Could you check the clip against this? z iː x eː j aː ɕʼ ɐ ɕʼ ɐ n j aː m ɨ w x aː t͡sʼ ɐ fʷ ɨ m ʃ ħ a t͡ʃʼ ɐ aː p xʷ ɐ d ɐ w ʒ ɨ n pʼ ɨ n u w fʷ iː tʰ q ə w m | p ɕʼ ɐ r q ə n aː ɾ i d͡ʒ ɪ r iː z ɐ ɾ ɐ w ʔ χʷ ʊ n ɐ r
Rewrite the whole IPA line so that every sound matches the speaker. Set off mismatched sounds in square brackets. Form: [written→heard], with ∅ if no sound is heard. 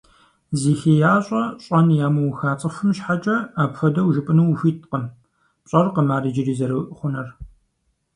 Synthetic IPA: z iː x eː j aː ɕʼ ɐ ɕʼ ɐ n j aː m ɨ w x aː t͡sʼ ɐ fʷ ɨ m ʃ ħ a t͡ʃʼ ɐ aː p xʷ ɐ d ɐ w ʒ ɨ [n→∅] pʼ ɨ n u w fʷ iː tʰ q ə [w→∅] m | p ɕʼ ɐ r q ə [n→m] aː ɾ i d͡ʒ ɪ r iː z ɐ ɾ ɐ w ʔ χʷ ʊ n ɐ r